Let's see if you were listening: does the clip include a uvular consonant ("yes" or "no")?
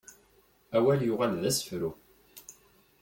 yes